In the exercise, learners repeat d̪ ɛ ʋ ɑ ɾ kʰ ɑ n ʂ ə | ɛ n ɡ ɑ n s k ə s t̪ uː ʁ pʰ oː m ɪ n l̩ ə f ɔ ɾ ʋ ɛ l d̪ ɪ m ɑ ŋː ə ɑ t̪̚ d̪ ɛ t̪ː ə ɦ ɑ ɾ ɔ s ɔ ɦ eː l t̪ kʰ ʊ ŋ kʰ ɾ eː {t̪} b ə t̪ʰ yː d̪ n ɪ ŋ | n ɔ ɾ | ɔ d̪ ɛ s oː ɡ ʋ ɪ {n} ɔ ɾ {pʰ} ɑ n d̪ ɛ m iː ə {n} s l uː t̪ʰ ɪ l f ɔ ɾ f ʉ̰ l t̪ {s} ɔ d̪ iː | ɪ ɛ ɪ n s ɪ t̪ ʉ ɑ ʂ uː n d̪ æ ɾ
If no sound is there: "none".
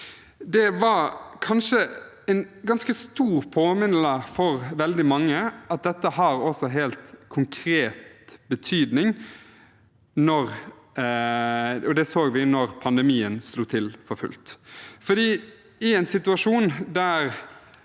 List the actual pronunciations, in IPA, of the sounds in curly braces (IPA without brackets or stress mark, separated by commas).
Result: t̪, n, pʰ, n, f